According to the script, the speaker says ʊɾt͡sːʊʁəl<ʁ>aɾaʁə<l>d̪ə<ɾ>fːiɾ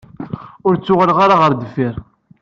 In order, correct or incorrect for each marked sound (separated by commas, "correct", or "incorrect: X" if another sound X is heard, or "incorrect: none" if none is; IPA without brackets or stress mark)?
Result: correct, incorrect: ɾ, incorrect: none